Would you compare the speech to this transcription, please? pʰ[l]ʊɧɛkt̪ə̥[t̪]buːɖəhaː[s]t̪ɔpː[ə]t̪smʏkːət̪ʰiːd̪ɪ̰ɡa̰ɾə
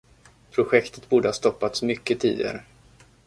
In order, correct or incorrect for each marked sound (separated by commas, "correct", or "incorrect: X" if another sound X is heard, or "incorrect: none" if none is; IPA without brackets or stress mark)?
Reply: incorrect: ɾ, correct, correct, incorrect: a